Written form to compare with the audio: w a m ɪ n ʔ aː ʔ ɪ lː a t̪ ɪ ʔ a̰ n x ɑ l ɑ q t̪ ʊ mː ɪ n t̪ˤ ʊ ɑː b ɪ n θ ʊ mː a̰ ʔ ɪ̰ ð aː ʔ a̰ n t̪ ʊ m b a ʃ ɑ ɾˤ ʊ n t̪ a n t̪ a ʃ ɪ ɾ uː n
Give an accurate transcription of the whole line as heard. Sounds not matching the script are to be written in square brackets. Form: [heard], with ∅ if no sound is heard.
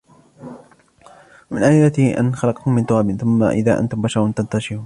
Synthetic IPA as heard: w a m ɪ n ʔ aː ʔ ɪ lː a t̪ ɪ ʔ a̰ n x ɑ l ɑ q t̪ ʊ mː ɪ n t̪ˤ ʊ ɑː b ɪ n θ ʊ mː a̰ ʔ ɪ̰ ð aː ʔ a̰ n t̪ ʊ m b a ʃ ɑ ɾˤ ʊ n t̪ a n t̪ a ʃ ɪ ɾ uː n